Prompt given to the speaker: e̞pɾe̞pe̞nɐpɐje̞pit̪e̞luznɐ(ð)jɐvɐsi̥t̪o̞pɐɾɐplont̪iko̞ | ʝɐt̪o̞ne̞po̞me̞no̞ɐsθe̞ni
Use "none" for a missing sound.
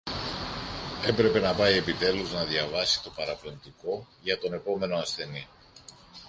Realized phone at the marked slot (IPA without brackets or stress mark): ð